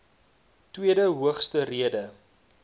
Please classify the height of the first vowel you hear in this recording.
high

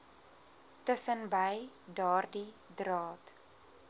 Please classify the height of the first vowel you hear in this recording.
mid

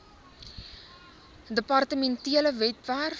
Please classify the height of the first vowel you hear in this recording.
mid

